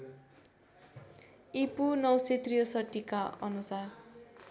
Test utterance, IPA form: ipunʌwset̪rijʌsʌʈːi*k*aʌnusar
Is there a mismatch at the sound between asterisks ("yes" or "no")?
no